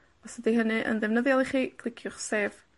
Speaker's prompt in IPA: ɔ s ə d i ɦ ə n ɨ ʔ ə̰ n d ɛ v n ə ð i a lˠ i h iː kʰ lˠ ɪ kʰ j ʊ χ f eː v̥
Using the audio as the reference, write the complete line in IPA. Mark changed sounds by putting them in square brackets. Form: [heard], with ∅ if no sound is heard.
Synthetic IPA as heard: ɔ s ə d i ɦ ə n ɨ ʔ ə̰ n d ɛ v n ə ð [j] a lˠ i [χ] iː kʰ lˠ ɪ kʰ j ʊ χ [s] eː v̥